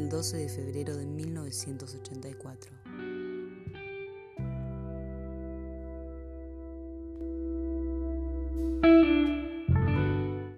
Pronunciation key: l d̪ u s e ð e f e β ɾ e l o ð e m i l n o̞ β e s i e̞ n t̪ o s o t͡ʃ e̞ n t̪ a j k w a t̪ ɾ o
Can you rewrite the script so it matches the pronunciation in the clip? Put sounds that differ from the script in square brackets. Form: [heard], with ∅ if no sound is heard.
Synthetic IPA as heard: l d̪ [o] s e ð e f e β ɾ e [ɾ] o ð e m i l n o̞ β e s [j] e̞ n t̪ o s o t͡ʃ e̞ n t̪ a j k w a t̪ ɾ o